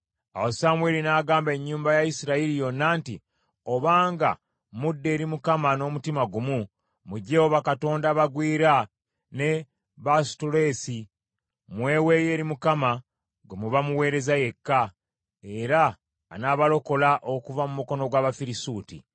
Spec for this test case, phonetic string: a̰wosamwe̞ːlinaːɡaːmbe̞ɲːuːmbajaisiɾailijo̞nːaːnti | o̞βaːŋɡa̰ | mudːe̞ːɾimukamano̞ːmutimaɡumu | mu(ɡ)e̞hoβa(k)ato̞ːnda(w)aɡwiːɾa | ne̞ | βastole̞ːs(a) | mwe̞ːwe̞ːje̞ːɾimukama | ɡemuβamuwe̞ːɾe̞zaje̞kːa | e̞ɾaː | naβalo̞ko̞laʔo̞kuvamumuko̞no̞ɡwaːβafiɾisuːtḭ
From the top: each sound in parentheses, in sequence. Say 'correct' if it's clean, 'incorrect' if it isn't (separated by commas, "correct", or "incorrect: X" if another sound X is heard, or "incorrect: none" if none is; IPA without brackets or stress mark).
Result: incorrect: ɟ, correct, incorrect: β, incorrect: i